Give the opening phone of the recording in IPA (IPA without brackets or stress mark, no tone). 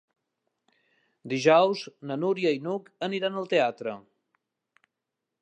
d̪